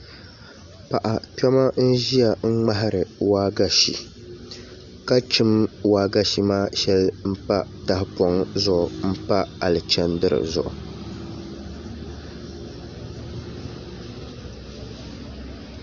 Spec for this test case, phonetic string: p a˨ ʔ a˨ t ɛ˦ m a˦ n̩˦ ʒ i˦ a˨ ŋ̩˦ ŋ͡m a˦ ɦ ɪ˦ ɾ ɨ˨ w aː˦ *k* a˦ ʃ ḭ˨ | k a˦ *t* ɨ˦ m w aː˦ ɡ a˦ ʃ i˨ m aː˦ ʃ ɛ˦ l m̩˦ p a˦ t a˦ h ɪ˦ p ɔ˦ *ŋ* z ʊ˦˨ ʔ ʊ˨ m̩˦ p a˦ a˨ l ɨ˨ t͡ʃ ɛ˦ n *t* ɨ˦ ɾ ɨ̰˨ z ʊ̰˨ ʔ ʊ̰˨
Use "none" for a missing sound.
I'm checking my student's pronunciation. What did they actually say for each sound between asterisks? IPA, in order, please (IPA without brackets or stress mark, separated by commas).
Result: ɡ, t͡ʃ, ŋ, d